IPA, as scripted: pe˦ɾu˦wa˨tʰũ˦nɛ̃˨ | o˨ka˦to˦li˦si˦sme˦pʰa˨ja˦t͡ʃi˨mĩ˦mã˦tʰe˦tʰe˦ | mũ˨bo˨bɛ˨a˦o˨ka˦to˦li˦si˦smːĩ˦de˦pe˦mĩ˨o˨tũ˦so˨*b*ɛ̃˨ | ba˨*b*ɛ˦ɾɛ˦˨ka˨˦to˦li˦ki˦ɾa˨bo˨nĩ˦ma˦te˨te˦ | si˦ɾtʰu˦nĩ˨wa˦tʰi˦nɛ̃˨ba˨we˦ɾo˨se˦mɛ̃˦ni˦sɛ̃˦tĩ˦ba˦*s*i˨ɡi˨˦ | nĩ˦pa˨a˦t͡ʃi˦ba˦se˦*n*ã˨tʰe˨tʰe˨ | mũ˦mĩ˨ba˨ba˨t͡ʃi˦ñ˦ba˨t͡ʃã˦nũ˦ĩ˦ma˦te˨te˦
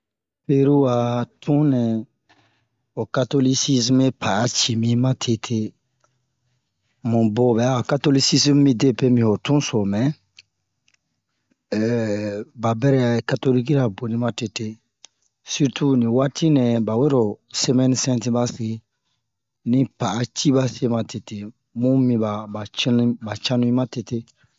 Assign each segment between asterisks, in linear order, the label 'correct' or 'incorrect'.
incorrect: m, correct, correct, incorrect: m

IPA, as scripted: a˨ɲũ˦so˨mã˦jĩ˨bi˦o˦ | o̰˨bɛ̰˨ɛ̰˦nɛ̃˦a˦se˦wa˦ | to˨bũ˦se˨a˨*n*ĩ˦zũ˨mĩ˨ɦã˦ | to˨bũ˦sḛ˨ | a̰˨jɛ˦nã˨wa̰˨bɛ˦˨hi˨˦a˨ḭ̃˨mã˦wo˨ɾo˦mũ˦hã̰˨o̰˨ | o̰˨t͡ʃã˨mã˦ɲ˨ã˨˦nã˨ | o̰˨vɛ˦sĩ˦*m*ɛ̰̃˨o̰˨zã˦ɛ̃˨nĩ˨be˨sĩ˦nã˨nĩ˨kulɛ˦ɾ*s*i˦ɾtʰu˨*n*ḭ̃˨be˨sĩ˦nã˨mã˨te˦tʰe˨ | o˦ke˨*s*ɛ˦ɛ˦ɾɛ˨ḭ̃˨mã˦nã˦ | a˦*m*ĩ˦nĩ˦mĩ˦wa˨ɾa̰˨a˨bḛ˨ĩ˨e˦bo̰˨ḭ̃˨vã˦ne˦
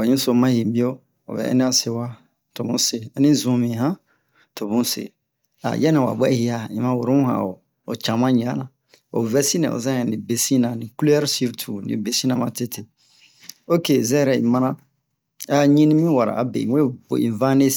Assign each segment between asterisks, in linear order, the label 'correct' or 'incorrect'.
correct, incorrect: n, correct, correct, incorrect: z, incorrect: ɲ

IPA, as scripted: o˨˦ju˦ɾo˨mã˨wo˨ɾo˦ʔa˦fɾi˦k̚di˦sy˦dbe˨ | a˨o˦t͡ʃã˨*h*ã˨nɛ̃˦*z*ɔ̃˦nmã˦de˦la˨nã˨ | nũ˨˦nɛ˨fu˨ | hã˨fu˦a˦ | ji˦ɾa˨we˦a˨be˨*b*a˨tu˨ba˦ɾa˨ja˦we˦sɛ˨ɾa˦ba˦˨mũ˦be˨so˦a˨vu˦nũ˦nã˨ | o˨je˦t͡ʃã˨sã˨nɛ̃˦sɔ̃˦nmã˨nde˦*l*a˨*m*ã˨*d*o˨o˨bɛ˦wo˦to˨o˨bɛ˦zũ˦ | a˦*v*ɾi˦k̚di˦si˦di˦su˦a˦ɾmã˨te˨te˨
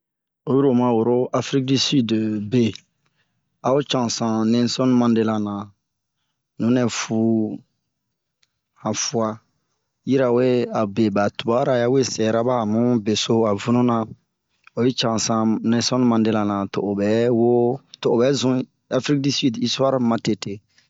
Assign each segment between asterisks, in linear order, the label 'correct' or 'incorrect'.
incorrect: s, incorrect: s, correct, correct, incorrect: n, incorrect: t, incorrect: f

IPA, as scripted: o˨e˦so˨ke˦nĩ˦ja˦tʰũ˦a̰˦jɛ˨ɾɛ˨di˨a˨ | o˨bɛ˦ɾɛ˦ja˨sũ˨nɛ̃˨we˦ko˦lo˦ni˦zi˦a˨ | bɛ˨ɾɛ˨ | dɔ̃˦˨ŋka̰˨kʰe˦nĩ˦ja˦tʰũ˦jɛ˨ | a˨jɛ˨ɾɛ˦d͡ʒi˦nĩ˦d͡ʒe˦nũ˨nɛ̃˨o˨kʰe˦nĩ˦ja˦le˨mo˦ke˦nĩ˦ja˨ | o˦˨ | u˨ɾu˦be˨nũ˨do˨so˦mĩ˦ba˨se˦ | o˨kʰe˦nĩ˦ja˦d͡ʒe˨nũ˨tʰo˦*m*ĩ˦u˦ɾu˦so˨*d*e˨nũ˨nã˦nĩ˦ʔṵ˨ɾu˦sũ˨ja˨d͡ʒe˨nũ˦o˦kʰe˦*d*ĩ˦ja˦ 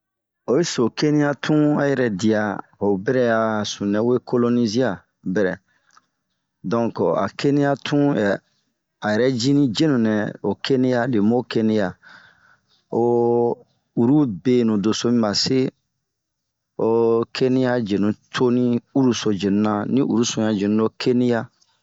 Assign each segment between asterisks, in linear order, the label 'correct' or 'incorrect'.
incorrect: n, incorrect: d͡ʒ, incorrect: n

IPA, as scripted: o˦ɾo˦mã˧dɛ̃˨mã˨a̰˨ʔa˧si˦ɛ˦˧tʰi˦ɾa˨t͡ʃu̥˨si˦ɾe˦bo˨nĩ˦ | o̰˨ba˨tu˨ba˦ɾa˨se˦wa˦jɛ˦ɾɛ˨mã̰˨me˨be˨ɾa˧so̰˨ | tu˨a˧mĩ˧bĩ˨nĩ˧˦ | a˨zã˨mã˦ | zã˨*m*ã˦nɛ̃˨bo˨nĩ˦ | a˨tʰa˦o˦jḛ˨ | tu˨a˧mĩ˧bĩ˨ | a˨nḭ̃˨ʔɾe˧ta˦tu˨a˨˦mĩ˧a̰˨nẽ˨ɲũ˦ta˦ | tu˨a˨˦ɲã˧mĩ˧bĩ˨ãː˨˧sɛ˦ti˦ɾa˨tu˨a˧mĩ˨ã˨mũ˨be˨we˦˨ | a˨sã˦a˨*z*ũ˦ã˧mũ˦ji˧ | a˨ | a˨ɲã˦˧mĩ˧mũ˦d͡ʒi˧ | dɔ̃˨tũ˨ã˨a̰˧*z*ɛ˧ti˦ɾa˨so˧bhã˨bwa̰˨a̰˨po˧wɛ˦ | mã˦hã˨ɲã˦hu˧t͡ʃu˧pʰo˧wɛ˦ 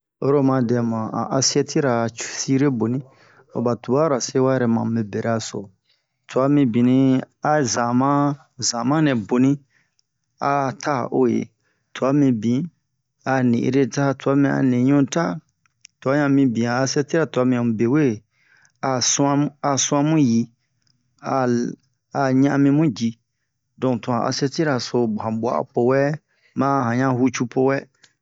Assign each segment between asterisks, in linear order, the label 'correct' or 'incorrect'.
correct, incorrect: s, incorrect: s

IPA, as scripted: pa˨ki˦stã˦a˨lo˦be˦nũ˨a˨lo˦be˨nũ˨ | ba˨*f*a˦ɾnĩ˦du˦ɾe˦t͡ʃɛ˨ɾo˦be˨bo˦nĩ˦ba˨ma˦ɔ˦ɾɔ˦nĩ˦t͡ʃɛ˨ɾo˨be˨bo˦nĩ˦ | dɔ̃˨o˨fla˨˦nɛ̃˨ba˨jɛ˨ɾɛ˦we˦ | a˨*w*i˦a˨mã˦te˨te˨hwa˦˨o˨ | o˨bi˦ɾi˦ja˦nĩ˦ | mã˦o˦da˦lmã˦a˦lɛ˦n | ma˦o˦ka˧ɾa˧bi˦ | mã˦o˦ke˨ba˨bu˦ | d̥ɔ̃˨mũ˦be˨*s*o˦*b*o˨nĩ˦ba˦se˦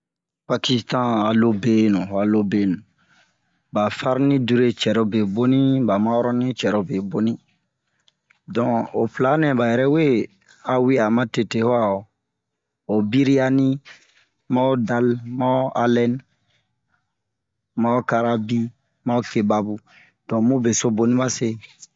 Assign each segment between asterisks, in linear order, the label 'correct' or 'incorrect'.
correct, correct, correct, correct

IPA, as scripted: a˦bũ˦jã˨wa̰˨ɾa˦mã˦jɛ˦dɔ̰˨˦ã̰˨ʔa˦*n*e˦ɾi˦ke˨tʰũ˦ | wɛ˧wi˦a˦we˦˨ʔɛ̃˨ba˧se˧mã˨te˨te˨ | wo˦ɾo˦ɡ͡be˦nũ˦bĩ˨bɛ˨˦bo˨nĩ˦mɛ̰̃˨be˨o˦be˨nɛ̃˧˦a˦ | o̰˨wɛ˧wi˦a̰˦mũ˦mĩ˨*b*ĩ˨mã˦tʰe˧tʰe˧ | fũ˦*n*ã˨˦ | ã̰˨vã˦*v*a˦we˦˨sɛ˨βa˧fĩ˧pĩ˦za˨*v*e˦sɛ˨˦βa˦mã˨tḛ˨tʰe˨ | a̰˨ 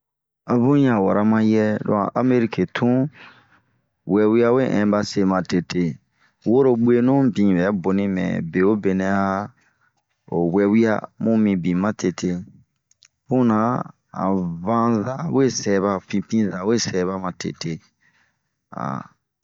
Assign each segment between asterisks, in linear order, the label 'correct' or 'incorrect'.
incorrect: m, correct, correct, incorrect: z, incorrect: w

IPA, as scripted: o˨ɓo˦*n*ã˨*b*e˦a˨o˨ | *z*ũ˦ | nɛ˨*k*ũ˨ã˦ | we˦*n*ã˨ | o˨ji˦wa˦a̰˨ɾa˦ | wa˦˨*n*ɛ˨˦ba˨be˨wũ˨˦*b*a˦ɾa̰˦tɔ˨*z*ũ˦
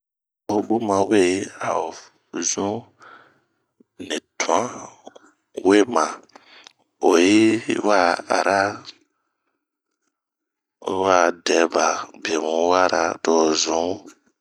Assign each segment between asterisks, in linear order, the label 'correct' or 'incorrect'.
incorrect: m, incorrect: w, correct, incorrect: t, incorrect: m, incorrect: d, incorrect: w, correct

